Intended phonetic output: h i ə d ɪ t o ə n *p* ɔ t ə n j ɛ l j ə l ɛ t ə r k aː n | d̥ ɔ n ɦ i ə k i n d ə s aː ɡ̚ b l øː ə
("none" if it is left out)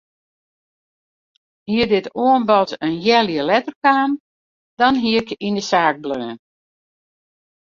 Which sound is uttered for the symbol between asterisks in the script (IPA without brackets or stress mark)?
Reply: b